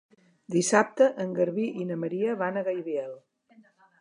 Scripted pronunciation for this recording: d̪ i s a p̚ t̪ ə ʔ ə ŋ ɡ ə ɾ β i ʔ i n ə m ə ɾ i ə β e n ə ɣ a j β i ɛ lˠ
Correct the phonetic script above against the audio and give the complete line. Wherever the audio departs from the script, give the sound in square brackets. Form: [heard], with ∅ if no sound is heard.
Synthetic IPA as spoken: d̪ i s a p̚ t̪ ə ʔ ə ŋ ɡ ə ɾ β i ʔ i n ə m ə ɾ i ə β [a] n ə ɣ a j β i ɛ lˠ